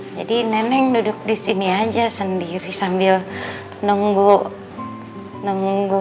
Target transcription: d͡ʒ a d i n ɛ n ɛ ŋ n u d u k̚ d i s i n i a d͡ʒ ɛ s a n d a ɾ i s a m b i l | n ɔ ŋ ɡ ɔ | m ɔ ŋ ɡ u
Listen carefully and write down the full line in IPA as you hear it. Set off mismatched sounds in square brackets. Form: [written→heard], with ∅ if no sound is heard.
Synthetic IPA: d͡ʒ a d i n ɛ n ɛ ŋ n u d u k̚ d i s i n i a d͡ʒ [ɛ→a] s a n d [a→i] ɾ i s a m b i l | n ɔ ŋ ɡ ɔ | [m→n] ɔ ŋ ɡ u